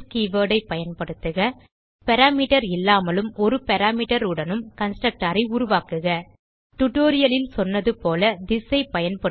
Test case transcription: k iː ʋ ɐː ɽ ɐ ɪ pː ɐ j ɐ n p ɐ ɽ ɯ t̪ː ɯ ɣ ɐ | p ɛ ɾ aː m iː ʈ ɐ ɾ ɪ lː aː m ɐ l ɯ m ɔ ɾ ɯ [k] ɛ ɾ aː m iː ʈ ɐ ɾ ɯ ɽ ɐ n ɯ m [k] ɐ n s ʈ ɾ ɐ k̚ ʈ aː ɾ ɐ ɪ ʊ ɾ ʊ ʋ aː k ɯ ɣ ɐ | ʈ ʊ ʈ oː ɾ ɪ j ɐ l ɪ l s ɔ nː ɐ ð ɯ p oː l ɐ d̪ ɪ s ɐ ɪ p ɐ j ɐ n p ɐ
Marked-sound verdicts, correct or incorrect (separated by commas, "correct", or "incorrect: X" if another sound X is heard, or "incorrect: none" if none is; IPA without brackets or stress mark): incorrect: p, correct